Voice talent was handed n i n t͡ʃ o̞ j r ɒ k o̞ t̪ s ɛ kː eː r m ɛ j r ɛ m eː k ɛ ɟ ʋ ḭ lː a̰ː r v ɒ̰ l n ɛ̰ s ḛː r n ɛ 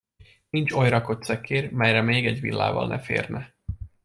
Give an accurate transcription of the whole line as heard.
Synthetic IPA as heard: n i n t͡ʃ o̞ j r ɒ k o̞ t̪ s ɛ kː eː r m ɛ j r ɛ m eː ɡ ɛ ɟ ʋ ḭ lː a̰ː v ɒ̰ l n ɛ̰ f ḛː r n ɛ